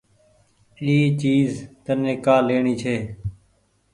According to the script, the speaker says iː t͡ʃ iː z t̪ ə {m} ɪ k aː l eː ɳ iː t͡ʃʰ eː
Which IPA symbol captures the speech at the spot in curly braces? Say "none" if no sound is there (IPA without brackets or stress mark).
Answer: n